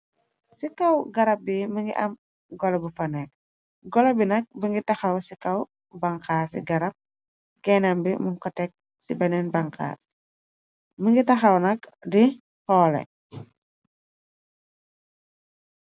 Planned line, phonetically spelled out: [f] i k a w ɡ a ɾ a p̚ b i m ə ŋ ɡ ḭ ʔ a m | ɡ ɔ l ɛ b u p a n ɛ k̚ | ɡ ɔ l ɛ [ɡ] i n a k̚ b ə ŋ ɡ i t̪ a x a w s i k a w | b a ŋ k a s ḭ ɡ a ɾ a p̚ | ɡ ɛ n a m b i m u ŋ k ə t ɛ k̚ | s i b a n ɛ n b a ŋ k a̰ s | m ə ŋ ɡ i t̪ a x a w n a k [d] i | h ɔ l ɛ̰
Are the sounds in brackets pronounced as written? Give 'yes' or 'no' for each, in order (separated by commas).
no, no, yes